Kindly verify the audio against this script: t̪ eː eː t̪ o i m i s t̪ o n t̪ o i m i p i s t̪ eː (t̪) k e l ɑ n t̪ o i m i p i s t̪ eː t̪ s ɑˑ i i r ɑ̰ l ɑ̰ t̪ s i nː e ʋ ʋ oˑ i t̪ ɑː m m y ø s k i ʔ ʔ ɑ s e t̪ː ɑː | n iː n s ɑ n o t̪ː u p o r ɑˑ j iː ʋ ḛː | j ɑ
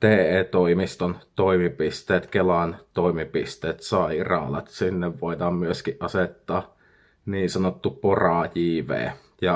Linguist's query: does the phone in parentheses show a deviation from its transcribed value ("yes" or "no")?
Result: no